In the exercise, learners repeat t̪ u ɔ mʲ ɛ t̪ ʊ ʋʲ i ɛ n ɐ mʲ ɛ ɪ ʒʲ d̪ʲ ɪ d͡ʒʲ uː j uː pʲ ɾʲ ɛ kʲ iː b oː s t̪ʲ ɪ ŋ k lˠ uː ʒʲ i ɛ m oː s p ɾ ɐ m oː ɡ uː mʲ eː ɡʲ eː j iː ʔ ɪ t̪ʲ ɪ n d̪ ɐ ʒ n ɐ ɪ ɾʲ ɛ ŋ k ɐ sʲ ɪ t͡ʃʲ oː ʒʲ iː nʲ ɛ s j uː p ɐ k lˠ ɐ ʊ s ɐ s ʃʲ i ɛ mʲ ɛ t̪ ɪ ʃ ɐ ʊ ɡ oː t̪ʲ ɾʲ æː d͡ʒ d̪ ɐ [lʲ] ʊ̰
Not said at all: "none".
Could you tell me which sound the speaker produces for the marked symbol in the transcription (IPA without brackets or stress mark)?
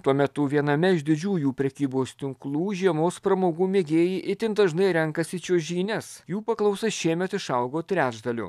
lʲ